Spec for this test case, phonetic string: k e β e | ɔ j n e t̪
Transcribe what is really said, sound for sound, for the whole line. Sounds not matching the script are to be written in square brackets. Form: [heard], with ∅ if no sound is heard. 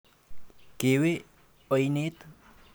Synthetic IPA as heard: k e [w] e | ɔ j n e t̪